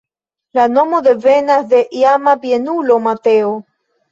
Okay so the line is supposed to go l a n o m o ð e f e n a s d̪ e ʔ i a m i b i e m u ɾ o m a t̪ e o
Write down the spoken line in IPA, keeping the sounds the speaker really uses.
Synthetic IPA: l a n o m o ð e v e n a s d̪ e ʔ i a m a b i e n u l o m a t̪ e o